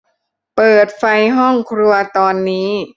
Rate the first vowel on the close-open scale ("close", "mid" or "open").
mid